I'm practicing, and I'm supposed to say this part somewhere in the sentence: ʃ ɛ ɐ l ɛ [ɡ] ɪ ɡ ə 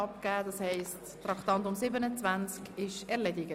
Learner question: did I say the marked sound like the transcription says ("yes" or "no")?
no